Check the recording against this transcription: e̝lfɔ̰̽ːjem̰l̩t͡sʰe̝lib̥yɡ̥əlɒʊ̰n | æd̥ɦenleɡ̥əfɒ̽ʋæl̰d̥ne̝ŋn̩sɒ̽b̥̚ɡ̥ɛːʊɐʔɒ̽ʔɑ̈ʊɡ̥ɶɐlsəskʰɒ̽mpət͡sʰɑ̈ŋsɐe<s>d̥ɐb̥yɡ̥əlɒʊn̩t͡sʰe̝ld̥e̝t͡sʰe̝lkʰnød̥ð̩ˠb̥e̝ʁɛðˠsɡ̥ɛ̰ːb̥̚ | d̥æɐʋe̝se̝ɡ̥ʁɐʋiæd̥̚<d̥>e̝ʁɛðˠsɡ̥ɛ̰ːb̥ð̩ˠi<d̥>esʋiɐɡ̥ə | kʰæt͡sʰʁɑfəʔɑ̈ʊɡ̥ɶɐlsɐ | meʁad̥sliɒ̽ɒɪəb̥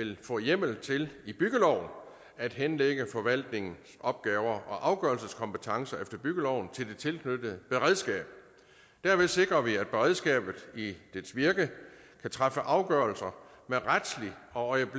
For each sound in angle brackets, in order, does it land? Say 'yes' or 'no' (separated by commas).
no, no, yes